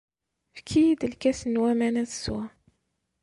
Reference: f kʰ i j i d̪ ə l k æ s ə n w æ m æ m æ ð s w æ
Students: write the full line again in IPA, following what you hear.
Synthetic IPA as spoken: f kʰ i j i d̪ ə l k æ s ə n w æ m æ n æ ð s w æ

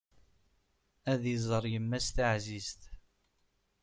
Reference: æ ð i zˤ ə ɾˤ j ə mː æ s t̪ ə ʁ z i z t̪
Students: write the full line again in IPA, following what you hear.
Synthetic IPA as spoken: æ ð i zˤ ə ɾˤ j ə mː æ s t̪ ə ʕ z i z t̪

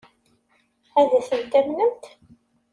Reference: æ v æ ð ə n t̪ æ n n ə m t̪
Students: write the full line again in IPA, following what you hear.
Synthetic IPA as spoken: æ ð æ θ ə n t̪ æ m n ə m t̪

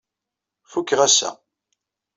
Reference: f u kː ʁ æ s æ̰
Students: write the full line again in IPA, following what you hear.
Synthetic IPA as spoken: f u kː ʁ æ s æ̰

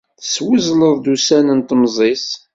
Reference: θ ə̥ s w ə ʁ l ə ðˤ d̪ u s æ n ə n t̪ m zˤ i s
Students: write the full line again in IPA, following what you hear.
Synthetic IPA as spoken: θ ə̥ s w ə z l ə ðˤ d̪ u s æ n ə n t̪ m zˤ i s

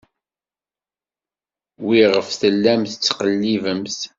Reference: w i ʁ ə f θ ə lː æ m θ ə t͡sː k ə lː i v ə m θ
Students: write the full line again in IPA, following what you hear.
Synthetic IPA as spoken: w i ʁ ə f θ ə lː æ m θ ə t͡sː q ə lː i v ə m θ

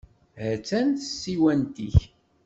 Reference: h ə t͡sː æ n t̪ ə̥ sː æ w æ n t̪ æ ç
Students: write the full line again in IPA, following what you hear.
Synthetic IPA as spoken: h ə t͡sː æ n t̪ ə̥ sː i w æ n t̪ i ç

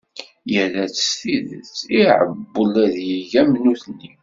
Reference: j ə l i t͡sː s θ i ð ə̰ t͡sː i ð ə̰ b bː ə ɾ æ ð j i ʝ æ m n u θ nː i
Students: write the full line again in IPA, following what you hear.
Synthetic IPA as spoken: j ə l æ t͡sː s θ i ð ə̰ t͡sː i ʕ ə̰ b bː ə l æ ð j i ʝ æ m n u θ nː i

